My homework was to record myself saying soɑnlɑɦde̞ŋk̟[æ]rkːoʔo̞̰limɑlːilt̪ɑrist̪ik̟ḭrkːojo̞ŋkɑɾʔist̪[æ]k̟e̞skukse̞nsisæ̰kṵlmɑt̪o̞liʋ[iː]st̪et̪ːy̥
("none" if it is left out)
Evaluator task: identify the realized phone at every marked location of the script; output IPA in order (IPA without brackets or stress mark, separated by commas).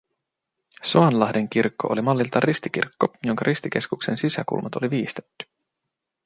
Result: i, i, iː